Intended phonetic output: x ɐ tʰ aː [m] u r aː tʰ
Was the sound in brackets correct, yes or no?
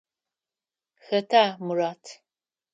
yes